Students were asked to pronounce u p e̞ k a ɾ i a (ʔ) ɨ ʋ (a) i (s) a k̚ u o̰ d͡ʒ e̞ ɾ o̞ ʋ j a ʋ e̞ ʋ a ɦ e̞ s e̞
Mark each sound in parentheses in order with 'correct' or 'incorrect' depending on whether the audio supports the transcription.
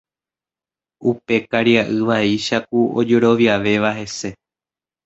correct, correct, incorrect: ʃ

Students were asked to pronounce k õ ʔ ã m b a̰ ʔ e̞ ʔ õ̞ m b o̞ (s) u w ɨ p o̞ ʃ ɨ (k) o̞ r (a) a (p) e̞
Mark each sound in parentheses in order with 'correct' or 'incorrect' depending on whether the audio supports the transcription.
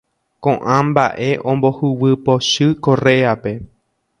incorrect: h, correct, incorrect: e, correct

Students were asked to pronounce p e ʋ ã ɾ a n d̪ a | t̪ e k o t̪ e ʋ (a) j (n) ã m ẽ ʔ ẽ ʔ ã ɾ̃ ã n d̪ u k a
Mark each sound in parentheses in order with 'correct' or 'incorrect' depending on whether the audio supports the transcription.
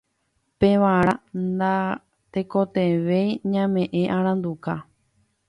incorrect: e, incorrect: ɲ

